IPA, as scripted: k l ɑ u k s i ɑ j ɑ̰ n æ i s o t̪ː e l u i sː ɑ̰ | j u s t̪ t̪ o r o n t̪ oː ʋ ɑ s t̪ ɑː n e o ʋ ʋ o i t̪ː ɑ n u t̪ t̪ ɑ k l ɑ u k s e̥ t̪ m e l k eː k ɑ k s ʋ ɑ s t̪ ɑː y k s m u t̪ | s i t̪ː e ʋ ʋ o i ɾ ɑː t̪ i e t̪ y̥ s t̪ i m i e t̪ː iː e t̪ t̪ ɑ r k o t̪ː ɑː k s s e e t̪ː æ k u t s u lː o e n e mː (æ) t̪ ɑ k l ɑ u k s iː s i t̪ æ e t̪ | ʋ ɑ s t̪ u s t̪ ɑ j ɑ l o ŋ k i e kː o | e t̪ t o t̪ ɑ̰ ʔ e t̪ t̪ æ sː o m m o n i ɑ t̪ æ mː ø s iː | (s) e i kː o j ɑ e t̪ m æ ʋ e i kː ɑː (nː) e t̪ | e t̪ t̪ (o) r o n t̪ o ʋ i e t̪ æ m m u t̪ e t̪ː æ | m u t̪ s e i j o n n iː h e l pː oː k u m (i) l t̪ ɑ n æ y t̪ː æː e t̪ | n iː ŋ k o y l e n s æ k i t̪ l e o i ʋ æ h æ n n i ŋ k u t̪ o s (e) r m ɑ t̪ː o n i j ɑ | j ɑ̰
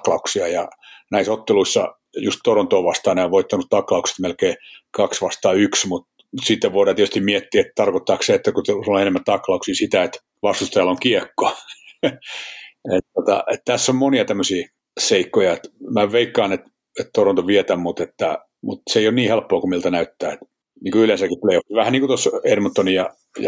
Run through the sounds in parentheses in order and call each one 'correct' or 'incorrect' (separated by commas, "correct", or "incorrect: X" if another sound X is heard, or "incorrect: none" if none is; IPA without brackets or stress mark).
correct, correct, incorrect: n, correct, correct, correct